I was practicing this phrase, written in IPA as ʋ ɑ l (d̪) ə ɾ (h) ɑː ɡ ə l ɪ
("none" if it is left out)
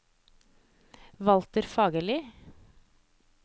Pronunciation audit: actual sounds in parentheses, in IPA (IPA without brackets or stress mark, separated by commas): t̪, f